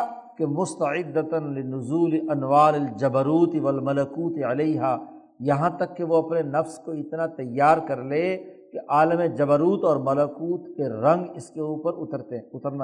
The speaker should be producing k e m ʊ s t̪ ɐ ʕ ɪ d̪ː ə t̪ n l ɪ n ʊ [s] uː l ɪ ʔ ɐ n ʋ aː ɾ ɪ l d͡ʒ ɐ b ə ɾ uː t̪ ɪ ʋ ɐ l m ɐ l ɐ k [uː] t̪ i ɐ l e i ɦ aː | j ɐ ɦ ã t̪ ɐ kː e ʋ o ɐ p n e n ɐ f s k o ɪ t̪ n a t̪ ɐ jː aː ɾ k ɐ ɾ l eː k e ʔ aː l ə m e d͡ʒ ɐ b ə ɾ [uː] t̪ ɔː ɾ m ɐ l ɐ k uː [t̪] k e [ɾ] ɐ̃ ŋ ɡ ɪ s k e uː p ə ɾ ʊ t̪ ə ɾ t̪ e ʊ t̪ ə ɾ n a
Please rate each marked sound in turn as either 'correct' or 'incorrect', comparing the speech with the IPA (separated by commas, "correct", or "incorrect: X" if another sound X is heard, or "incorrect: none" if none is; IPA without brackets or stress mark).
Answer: incorrect: z, correct, correct, correct, correct